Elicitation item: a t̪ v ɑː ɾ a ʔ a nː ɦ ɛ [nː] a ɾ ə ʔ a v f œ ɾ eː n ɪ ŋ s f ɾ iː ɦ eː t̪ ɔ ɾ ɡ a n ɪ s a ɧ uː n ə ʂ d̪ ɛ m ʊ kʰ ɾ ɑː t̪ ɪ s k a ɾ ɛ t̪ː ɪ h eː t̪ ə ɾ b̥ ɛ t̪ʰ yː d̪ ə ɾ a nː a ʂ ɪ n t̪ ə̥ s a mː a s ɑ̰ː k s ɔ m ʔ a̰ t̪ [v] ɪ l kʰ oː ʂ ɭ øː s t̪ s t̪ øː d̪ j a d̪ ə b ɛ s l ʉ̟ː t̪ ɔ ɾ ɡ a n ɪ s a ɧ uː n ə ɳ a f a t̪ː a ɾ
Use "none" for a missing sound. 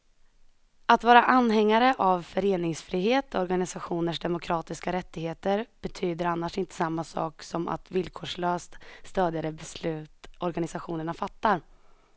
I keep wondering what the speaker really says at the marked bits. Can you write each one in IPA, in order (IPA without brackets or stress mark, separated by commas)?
ŋː, v